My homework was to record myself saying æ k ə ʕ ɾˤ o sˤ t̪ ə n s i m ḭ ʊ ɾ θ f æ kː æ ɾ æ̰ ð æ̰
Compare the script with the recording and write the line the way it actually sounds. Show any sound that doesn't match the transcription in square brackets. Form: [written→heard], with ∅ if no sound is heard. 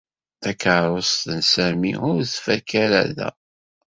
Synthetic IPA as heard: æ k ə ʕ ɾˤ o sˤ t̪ ə n s [i→æ] m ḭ ʊ ɾ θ f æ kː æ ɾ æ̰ ð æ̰